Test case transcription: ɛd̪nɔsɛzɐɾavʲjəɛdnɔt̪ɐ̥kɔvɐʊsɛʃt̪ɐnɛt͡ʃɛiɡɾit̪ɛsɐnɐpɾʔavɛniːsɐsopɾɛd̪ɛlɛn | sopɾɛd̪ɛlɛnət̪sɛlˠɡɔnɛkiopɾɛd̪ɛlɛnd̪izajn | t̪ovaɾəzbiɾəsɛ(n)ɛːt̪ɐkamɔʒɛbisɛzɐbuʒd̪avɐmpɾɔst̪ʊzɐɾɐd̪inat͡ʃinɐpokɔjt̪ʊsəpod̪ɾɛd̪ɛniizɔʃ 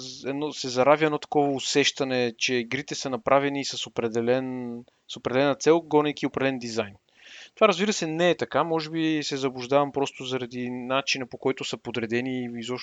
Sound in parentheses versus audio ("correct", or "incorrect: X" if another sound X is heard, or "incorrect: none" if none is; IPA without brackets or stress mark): correct